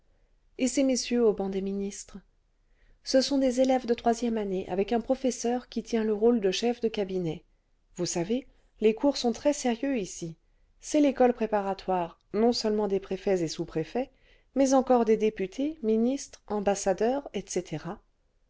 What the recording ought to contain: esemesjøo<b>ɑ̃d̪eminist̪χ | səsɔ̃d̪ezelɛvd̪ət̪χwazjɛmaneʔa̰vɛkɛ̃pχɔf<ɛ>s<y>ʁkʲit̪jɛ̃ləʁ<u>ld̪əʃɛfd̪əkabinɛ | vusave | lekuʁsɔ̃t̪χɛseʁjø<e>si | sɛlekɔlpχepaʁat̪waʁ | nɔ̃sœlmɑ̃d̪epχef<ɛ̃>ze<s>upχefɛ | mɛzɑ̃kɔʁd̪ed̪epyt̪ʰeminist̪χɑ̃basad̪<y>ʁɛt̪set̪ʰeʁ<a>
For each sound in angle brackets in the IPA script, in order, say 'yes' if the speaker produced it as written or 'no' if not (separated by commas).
yes, yes, no, no, no, no, yes, no, yes